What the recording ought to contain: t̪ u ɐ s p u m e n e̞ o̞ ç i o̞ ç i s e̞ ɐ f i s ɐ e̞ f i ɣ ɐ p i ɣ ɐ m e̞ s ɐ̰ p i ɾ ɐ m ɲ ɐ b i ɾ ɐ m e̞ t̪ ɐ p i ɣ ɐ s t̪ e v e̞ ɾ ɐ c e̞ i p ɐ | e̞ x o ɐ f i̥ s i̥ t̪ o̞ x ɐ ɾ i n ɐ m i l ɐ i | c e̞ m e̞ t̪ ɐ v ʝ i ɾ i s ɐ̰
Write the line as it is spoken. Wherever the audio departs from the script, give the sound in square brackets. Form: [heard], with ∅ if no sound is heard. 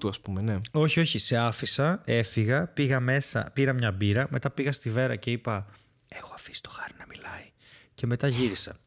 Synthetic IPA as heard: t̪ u ɐ s p u m e n e̞ o̞ ç i o̞ ç i s e̞ ɐ f i s ɐ e̞ f i ɣ ɐ p i ɣ ɐ m e̞ s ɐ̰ p i ɾ ɐ m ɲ ɐ b i ɾ ɐ m e̞ t̪ ɐ p i ɣ ɐ s t̪ [i] v e̞ ɾ ɐ c e̞ i p ɐ | e̞ x o ɐ f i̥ s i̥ t̪ o̞ x ɐ ɾ i n ɐ m i l ɐ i | c e̞ m e̞ t̪ ɐ [∅] ʝ i ɾ i s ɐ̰